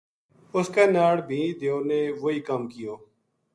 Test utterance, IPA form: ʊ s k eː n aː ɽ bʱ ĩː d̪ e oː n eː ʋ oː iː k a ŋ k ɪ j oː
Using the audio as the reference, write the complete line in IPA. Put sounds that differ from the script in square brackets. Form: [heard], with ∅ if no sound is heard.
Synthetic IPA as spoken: ʊ s k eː n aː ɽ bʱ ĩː d̪ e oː n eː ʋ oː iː k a [m] k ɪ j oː

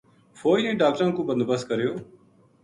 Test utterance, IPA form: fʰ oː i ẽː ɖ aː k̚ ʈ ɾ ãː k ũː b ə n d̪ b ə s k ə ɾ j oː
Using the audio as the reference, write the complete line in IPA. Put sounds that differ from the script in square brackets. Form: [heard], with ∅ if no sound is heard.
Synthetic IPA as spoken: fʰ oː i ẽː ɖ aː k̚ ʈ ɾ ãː k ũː b ə n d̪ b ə s k ə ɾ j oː

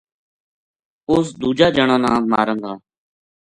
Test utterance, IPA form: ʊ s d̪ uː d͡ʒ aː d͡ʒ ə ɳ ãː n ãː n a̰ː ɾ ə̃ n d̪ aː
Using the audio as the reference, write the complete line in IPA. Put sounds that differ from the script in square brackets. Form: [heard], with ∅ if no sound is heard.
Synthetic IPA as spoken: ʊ s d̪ uː d͡ʒ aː d͡ʒ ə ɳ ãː n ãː [m] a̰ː ɾ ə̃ n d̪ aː

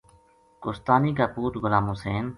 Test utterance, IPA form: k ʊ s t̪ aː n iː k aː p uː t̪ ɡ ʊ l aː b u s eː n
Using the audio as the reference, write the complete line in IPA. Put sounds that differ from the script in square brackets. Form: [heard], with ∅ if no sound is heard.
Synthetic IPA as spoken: k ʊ s t̪ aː n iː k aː p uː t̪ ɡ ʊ l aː [m] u s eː n

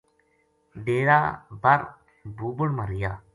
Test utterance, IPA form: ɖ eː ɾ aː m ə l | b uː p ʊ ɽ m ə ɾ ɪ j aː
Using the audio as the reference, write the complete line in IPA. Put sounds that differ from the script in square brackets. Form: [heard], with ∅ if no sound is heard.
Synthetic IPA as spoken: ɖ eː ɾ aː [b] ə [ɾ] | b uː [b] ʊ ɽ m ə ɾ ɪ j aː

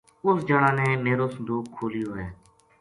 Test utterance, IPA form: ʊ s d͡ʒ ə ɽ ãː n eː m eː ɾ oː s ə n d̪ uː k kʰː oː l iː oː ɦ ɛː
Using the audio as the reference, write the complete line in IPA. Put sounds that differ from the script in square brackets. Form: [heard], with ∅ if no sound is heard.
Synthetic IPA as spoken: ʊ s d͡ʒ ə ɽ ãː n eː m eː ɾ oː s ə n d̪ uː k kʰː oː l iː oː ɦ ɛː

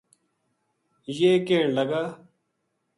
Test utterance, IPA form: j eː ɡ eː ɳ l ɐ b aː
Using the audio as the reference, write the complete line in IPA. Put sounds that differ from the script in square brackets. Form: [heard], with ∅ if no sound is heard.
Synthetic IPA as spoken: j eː [k] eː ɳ l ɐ [ɡ] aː

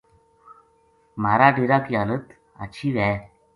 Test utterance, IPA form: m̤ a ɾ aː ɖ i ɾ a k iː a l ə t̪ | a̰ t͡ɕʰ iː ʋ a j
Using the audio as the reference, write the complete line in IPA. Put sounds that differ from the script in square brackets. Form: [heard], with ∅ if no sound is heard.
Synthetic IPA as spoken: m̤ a ɾ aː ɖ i ɾ a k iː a l ə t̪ | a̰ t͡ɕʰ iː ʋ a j

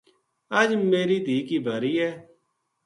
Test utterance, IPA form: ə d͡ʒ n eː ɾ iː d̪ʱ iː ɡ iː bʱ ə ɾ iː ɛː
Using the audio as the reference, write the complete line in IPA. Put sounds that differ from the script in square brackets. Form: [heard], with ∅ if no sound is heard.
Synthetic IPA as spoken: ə d͡ʒ [m] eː ɾ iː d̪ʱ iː [k] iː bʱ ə ɾ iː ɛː

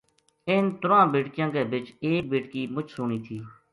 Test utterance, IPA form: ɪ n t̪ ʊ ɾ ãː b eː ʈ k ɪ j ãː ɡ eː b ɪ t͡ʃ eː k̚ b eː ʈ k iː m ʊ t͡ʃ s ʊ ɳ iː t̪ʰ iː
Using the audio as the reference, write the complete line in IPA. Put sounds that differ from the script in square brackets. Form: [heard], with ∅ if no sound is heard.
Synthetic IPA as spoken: ɪ n t̪ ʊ ɾ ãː b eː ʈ k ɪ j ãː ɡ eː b ɪ t͡ʃ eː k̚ b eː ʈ k iː m ʊ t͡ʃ s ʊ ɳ iː t̪ʰ iː

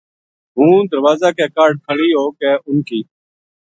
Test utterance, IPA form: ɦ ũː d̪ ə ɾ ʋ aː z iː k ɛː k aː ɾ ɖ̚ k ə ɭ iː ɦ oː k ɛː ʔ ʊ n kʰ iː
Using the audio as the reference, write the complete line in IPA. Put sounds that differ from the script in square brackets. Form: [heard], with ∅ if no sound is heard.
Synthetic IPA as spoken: ɦ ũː d̪ ə ɾ ʋ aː z [aː] k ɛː k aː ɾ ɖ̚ [kʰ] ə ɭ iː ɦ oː k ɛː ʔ ʊ n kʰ iː

